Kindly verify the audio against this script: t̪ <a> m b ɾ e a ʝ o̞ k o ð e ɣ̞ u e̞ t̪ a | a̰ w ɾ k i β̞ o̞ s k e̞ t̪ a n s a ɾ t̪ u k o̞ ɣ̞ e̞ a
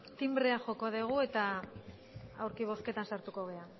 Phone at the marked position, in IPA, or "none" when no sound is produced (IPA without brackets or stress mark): i